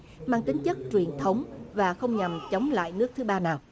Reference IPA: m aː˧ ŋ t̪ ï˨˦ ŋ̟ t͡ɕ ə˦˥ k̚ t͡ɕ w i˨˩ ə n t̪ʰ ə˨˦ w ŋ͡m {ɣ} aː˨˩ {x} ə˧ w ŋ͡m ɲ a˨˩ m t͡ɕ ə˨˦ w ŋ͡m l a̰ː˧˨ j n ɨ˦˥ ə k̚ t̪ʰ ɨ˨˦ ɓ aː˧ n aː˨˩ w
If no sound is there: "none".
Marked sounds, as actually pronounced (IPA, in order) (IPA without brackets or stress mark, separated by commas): v, x